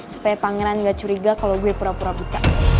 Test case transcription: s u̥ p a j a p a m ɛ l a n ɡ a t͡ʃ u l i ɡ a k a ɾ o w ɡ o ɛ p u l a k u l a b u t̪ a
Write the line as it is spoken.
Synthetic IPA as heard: s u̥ p a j a p a ŋ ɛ ɾ a n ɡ a t͡ʃ u ɾ i ɡ a k a l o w ɡ u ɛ p u ɾ a p u ɾ a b u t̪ a